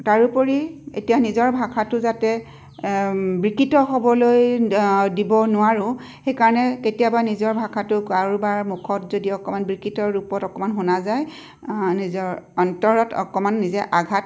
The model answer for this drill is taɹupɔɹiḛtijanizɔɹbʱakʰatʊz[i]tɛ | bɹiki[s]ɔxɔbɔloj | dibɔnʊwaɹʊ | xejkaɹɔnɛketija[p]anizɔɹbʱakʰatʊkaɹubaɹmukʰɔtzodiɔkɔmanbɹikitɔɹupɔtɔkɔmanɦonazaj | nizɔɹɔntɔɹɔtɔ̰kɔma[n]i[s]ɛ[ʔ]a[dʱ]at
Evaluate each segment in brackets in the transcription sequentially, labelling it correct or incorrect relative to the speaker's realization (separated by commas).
incorrect, incorrect, incorrect, incorrect, incorrect, correct, incorrect